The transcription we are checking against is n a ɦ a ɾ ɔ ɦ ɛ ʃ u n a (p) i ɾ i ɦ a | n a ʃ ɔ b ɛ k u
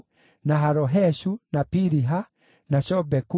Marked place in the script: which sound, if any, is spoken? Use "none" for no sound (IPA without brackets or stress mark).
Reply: p